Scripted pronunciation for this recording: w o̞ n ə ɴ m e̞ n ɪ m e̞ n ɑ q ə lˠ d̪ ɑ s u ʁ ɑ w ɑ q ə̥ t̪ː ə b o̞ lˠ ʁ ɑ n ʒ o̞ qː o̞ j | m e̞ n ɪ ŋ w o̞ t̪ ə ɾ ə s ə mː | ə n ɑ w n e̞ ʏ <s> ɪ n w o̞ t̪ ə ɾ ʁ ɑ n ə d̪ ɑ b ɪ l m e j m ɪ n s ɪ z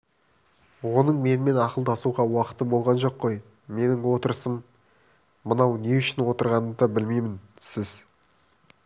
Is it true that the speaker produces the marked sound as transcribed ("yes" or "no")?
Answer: no